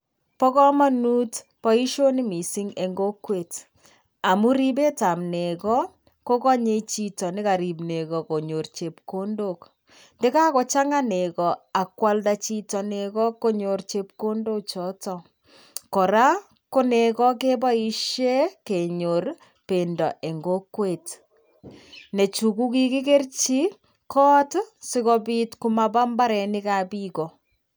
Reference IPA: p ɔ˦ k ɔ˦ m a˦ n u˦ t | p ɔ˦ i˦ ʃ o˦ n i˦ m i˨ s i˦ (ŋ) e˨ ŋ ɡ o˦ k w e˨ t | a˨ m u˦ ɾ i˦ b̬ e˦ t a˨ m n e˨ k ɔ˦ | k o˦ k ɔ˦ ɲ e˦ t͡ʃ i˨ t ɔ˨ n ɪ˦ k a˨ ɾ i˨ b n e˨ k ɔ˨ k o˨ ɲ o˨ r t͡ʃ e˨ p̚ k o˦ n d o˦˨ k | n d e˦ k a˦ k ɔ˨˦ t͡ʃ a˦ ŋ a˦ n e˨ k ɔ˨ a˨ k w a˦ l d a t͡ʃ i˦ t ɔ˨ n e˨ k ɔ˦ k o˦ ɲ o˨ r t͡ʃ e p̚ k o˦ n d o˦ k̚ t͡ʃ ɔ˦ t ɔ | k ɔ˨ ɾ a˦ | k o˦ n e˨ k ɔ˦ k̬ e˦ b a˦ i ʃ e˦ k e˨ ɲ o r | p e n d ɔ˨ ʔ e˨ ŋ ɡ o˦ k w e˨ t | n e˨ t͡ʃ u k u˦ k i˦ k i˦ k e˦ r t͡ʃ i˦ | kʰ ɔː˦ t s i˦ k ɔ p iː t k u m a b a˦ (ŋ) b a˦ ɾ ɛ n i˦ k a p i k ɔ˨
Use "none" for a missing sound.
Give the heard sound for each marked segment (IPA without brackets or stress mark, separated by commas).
ŋ, m